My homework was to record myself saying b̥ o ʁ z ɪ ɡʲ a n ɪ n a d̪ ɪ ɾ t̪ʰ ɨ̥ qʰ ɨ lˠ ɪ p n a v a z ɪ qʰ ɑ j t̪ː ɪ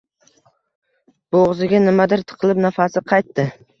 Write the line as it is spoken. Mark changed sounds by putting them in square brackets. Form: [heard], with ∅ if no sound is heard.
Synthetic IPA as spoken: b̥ o ʁ z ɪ ɡʲ a n ɪ [m] a d̪ ɪ ɾ t̪ʰ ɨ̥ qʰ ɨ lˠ ɪ p n a [f] a [s] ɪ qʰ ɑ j t̪ː ɪ